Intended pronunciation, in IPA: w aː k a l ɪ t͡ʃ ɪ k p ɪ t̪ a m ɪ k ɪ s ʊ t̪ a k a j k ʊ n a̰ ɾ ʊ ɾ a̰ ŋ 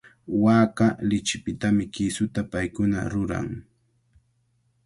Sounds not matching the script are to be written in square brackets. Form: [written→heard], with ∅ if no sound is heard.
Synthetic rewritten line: w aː k a l ɪ t͡ʃ ɪ [k→∅] p ɪ t̪ a m ɪ k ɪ s ʊ t̪ a [k→p] a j k ʊ n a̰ ɾ ʊ ɾ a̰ ŋ